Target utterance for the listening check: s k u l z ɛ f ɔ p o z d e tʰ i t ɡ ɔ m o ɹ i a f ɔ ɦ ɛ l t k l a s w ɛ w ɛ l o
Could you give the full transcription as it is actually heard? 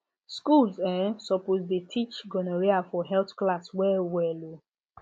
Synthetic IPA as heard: s k u l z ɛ s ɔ p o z d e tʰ i t͡ʃ ɡ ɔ n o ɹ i a f ɔ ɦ ɛ l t k l a s w ɛ w ɛ l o